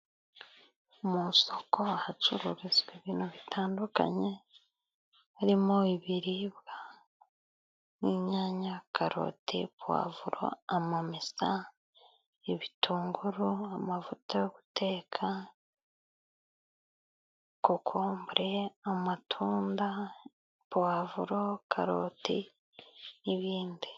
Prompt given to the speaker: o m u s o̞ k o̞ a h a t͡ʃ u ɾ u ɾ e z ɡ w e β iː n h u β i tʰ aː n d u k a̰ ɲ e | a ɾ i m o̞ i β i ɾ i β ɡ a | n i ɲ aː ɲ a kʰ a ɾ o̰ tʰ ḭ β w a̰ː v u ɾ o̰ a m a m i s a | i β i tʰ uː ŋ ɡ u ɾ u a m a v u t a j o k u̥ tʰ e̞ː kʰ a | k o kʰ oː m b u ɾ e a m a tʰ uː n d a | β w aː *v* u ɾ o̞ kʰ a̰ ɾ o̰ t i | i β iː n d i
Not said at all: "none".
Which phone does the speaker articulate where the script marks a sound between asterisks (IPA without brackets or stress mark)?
v